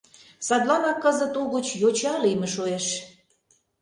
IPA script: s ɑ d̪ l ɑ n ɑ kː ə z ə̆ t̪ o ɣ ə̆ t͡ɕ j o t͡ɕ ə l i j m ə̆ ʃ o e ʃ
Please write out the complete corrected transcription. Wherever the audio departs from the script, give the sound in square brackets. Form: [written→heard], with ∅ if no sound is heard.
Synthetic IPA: s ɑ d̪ l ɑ n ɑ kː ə z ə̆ t̪ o ɣ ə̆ t͡ɕ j o t͡ɕ [ə→ɑ] l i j m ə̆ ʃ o e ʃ